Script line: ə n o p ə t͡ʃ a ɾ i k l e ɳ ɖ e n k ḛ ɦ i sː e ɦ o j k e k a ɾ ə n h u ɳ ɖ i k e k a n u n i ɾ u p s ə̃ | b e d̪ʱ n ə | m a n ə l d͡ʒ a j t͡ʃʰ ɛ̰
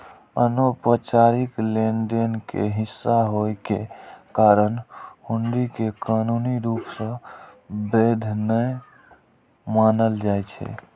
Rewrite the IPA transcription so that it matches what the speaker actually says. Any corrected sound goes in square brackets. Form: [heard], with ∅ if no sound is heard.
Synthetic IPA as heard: ə n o p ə t͡ʃ a ɾ i k l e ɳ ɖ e n k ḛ ɦ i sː [a] ɦ o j k e k a ɾ ə n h u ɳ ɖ i k e k a n u n i ɾ u p s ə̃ | b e d̪ʱ n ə | m a n ə l d͡ʒ a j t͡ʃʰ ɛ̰